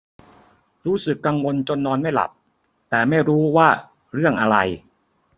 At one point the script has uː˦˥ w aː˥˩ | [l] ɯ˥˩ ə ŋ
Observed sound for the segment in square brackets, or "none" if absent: ɾ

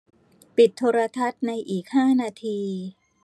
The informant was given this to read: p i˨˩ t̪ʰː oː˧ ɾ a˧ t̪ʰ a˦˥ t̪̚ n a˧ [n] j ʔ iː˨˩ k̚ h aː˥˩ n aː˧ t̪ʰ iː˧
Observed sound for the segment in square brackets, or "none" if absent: none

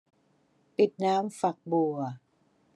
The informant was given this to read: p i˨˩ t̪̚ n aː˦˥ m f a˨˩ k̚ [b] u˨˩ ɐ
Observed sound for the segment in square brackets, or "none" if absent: b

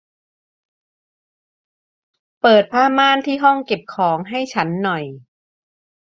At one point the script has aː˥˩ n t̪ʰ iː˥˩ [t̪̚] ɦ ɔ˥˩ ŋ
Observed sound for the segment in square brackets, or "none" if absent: none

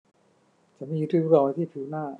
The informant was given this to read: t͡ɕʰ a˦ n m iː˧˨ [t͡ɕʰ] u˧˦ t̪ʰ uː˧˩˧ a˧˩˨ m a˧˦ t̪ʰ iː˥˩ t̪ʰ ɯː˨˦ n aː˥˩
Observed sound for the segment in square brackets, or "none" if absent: none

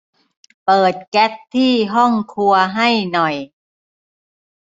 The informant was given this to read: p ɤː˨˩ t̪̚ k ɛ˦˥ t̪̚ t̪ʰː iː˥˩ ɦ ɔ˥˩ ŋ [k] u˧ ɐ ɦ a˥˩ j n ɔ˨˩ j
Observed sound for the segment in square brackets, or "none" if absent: kʰ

